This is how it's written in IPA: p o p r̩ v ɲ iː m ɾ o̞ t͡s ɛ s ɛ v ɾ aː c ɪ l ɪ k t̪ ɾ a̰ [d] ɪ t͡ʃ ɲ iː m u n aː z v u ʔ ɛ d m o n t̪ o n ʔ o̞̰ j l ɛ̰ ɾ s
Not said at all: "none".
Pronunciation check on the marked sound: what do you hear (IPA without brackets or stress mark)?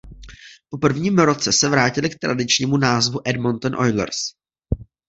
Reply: d